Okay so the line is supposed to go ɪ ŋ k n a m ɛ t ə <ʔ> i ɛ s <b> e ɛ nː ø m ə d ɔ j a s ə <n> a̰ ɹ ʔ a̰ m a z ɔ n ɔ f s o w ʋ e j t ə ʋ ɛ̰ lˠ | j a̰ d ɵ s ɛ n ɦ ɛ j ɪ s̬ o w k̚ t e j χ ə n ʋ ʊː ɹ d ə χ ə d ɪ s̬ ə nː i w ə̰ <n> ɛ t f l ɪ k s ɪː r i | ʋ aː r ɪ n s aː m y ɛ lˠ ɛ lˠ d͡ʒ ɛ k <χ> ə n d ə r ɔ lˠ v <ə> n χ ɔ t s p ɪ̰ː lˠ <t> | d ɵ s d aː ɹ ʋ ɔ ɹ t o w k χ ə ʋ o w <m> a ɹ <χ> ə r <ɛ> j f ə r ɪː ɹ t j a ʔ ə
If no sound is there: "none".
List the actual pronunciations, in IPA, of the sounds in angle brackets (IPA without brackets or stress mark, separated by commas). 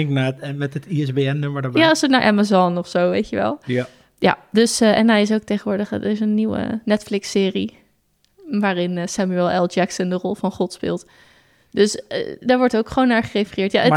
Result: t, b, n, n, s, ɑ, t, n, χ, e